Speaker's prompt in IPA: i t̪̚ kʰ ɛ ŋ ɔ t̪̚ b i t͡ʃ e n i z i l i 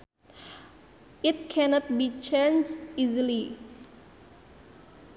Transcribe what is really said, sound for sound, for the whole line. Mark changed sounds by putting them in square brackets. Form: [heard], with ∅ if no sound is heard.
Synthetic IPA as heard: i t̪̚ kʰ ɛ [n] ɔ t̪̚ b i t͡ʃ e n i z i l i

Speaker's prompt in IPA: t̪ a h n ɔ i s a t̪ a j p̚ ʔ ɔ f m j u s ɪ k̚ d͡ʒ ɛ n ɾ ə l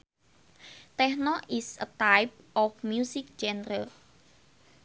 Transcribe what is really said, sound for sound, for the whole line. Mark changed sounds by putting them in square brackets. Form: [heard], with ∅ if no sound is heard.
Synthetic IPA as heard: t̪ [ɛ] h n ɔ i s [ə] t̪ a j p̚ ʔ ɔ f m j u s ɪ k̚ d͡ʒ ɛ n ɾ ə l

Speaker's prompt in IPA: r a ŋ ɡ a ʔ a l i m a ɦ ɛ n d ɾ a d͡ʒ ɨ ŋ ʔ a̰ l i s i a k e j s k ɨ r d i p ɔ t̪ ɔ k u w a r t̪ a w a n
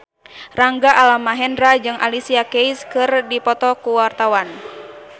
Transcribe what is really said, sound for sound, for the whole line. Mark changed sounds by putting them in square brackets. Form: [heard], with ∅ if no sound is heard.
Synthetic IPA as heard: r a ŋ ɡ a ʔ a l [a] m a ɦ ɛ n d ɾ a d͡ʒ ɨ ŋ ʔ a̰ l i s i a k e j s k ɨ r d i p ɔ t̪ ɔ k u w a r t̪ a w a n

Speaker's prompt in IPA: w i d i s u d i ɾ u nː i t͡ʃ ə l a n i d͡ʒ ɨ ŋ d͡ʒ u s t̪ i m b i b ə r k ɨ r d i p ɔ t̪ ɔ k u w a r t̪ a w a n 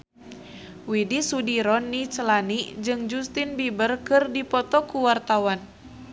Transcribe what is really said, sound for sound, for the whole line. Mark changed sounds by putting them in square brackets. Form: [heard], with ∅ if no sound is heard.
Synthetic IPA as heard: w i d i s u d i ɾ [ɔ] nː i t͡ʃ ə l a n i d͡ʒ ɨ ŋ d͡ʒ u s t̪ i [n] b i b ə r k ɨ r d i p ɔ t̪ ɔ k u w a r t̪ a w a n

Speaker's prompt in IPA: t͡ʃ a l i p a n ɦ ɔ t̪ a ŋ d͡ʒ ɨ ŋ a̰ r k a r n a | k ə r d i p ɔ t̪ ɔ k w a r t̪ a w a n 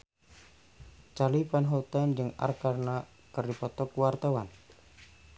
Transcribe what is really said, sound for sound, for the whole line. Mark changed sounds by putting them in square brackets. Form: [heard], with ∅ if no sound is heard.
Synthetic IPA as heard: t͡ʃ a l i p a n ɦ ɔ t̪ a [n] d͡ʒ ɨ ŋ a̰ r k a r n a | k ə r d i p ɔ t̪ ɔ k w a r t̪ a w a n

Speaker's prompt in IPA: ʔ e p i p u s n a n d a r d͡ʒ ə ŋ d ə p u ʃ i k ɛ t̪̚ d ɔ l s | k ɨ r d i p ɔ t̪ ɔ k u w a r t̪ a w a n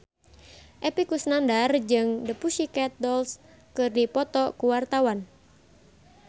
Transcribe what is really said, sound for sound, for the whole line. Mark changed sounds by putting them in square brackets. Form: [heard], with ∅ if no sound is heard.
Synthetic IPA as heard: ʔ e p i [k] u s n a n d a r d͡ʒ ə ŋ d ə p u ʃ i k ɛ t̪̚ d ɔ l s | k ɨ r d i p ɔ t̪ ɔ k u w a r t̪ a w a n

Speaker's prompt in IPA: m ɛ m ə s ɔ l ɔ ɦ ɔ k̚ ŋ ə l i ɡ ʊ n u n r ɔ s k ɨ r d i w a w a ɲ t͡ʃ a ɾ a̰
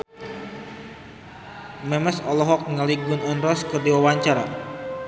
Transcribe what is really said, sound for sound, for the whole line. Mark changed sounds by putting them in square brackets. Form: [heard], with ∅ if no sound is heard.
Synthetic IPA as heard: m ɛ m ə s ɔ l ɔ ɦ ɔ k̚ ŋ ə l i ɡ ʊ n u n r ɔ s k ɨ r d i w a w a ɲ t͡ʃ a ɾ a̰

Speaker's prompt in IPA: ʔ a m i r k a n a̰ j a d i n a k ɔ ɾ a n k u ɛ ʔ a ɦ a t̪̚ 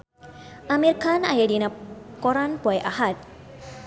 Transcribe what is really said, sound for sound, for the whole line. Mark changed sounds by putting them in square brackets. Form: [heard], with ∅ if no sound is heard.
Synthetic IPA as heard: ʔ a m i r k a n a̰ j a d i n a k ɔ ɾ a n [p] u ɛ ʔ a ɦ a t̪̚

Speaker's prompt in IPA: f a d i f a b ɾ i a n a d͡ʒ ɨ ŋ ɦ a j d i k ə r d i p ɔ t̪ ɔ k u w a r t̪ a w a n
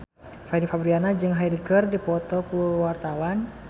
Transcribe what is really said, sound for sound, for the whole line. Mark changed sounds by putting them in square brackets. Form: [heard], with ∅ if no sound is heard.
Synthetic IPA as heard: f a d i f a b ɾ i a n a d͡ʒ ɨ ŋ ɦ a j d i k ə r d i p ɔ t̪ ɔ k u w a r t̪ a w a n

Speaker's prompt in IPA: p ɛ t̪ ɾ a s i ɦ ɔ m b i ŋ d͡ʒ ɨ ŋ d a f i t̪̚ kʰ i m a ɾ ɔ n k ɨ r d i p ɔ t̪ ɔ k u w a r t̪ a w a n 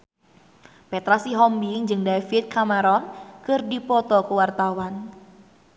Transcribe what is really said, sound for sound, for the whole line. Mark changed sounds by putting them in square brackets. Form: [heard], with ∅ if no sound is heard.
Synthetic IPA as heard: p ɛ t̪ ɾ a s i ɦ ɔ m b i ŋ d͡ʒ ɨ ŋ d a f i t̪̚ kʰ [a] m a ɾ ɔ n k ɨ r d i p ɔ t̪ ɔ k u w a r t̪ a w a n

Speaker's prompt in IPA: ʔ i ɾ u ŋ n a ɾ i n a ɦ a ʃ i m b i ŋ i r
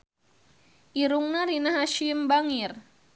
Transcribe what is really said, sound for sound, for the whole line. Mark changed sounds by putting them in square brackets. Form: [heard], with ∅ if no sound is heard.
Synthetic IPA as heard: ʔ i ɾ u ŋ n a ɾ i n a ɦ a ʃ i m b [a] ŋ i r

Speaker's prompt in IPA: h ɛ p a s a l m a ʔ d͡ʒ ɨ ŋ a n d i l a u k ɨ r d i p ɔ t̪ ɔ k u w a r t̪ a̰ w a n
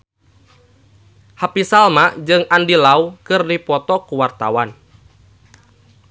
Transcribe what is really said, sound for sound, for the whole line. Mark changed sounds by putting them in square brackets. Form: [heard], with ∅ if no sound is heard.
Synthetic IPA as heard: h [a] p [i] s a l m a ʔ d͡ʒ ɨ ŋ a n d i l a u k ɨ r d i p ɔ t̪ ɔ k u w a r t̪ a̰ w a n

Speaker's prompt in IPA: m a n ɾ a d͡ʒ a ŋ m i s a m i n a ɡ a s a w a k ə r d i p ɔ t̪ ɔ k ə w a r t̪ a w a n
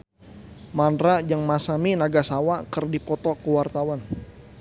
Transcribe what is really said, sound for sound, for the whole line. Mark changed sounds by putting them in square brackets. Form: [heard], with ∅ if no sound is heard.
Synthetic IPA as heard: m a n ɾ a d͡ʒ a ŋ m [a] s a m i n a ɡ a s a w a k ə r d i p ɔ t̪ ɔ k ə w a r t̪ a w a n

